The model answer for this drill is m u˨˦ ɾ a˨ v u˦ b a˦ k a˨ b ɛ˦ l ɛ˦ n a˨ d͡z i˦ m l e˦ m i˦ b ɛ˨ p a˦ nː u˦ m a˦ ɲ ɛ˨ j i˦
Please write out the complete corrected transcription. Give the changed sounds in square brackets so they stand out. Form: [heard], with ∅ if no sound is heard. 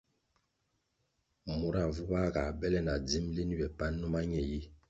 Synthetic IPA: m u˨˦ ɾ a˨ v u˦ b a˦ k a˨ b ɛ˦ l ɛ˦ n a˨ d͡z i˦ m l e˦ [n] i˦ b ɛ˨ p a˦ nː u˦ m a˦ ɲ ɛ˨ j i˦

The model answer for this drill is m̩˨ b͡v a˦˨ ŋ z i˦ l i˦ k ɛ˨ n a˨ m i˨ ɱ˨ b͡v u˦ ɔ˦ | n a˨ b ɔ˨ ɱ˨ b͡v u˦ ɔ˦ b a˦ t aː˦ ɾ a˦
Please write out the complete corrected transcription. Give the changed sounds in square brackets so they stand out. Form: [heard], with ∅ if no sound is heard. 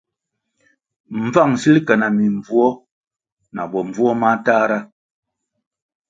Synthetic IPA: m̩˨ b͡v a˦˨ ŋ [s] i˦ l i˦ k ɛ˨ n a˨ m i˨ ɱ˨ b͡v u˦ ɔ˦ | n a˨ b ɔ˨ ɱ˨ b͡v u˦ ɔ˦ [m] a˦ t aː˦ ɾ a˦

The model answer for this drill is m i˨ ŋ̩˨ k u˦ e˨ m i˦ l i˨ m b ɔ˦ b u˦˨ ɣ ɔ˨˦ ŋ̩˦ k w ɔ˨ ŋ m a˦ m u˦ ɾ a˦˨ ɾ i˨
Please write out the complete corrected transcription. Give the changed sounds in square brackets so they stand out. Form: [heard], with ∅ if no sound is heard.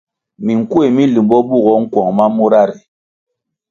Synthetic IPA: m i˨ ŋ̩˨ k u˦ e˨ m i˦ l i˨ m b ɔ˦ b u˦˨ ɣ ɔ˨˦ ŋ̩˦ k w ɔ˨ ŋ m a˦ m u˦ ɾ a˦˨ ɾ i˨

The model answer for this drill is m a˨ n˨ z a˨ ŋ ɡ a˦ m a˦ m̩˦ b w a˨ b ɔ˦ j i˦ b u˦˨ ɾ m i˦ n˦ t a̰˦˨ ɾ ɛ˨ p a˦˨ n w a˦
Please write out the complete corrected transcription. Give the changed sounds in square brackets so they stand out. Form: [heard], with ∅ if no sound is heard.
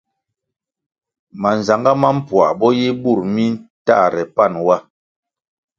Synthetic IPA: m a˨ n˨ z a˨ ŋ ɡ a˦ m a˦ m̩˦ [p] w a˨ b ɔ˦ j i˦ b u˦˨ ɾ m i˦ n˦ t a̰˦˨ ɾ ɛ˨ p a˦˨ n w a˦

